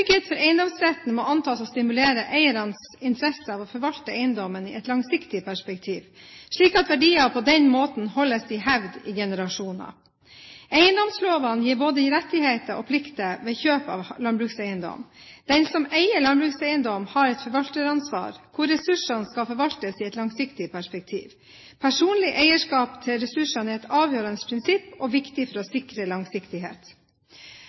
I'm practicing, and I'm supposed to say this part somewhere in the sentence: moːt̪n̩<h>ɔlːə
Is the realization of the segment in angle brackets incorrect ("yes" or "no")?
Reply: no